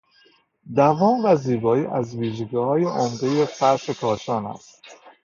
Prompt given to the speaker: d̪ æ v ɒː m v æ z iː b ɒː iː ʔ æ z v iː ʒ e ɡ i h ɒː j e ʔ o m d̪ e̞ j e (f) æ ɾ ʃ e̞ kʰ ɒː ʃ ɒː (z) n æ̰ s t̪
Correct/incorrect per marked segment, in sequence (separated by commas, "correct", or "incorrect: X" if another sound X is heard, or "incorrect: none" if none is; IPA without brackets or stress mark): correct, incorrect: none